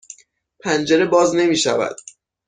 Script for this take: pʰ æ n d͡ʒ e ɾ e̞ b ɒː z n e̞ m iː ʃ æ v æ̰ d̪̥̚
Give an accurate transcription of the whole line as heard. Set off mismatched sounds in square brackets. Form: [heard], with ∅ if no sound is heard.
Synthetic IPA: pʰ æ n d͡ʒ e ɾ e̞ b ɒː z n e̞ m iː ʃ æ v æ̰ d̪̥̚